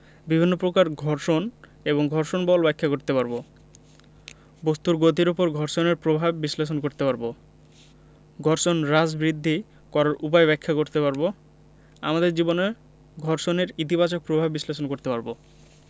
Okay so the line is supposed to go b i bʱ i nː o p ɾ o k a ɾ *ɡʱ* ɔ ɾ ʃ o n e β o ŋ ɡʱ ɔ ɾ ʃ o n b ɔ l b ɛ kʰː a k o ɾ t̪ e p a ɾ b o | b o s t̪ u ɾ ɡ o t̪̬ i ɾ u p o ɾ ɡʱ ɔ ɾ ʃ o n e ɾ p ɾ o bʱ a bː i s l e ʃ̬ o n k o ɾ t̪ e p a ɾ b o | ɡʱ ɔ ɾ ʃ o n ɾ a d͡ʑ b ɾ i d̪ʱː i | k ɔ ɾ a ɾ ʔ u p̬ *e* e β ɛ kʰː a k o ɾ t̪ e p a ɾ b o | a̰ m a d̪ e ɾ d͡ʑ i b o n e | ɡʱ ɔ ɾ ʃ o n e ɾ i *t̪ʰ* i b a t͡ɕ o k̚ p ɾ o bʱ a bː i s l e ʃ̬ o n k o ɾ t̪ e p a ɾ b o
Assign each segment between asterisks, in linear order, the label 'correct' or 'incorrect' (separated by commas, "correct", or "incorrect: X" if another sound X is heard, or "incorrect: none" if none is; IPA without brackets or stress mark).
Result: correct, incorrect: a, incorrect: t̪